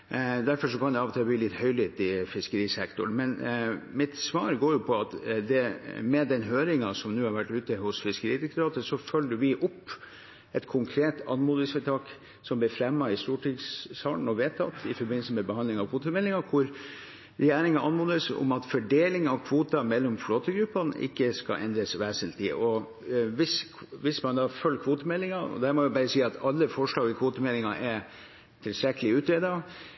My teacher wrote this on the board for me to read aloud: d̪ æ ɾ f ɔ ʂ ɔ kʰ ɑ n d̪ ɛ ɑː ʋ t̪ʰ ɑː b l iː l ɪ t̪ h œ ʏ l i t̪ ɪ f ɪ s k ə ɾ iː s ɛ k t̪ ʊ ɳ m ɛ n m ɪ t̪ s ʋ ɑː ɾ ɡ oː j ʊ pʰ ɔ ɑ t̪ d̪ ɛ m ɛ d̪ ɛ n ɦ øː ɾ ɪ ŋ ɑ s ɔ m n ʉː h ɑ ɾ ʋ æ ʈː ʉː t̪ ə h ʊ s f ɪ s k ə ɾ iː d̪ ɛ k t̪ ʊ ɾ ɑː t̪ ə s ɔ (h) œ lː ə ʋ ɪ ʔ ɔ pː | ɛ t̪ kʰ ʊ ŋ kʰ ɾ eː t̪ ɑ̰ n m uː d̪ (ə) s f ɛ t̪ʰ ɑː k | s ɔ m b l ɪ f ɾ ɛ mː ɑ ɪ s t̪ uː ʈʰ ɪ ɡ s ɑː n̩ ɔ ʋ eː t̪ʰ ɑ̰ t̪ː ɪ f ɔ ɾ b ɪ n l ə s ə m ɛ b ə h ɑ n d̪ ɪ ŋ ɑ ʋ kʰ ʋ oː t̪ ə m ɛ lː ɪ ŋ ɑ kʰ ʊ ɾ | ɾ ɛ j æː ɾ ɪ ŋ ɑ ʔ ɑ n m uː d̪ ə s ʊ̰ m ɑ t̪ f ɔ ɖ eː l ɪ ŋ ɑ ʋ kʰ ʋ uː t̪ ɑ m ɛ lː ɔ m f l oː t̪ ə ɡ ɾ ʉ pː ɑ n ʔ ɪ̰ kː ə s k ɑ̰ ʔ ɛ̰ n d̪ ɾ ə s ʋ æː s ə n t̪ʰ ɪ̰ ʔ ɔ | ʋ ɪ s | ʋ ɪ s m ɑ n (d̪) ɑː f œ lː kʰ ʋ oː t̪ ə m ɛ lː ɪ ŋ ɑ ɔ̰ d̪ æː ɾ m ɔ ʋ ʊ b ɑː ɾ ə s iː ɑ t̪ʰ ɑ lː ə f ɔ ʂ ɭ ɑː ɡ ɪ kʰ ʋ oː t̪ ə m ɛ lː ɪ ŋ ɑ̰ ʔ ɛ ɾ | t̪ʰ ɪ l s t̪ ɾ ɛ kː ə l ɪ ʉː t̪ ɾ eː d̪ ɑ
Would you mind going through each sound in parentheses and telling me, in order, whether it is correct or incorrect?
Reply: incorrect: f, correct, correct

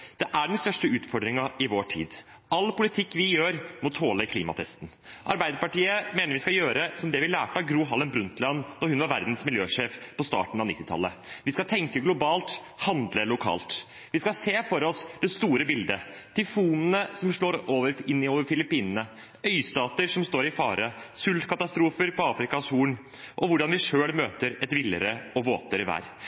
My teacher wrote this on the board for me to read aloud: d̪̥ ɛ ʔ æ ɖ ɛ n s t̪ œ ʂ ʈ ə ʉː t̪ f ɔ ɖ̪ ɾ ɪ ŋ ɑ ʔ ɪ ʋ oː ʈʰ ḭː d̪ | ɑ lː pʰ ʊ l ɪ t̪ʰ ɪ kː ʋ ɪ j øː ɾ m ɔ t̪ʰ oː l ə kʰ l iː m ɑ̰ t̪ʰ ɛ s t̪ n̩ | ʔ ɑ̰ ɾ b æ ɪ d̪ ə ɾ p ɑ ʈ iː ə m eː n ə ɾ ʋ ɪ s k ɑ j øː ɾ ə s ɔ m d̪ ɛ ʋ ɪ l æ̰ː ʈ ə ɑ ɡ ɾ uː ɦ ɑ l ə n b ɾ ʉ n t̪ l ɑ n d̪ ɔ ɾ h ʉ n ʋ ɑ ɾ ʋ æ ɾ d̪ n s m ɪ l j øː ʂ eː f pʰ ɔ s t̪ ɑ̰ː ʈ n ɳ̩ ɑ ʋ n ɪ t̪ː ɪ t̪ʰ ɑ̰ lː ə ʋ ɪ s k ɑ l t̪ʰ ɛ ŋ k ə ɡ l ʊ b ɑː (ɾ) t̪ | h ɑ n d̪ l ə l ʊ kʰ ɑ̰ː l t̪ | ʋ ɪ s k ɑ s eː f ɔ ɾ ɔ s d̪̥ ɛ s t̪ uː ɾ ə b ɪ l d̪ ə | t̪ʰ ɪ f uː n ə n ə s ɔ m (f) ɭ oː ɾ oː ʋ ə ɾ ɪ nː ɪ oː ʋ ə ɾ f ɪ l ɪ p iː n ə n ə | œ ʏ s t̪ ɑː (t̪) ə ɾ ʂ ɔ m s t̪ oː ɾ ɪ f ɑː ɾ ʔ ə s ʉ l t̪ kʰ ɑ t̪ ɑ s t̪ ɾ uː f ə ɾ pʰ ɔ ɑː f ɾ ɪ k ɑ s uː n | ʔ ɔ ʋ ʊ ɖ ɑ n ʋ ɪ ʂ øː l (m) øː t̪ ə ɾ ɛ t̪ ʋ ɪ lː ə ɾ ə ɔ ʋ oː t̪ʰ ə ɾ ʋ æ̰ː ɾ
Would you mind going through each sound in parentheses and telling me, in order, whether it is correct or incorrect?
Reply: incorrect: l, incorrect: ʂ, correct, correct

